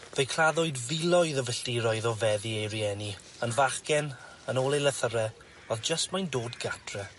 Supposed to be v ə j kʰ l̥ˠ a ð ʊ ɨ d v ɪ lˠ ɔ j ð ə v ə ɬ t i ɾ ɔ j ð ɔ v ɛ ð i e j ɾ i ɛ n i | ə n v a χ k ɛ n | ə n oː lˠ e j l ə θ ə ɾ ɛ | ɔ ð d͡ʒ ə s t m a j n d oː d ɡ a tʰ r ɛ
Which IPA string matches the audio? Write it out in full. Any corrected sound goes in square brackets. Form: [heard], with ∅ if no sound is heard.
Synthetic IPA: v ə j kʰ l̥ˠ a ð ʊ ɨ d v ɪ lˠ ɔ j ð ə v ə ɬ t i ɾ ɔ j ð ɔ v ɛ ð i e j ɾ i ɛ n i | ə n v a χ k ɛ n | ə n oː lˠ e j l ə θ ə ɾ ɛ | ɔ ð d͡ʒ ə s t m a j n d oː d ɡ a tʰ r ɛ